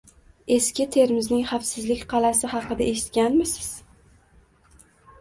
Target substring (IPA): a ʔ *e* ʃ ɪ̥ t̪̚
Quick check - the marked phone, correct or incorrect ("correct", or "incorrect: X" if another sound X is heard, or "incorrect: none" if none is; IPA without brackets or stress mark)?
correct